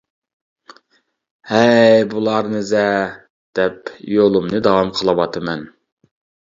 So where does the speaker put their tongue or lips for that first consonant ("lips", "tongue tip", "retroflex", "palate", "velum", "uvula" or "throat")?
throat